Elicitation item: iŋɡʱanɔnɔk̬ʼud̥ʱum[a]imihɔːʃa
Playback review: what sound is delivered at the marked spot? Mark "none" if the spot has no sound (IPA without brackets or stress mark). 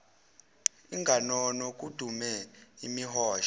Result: ɛ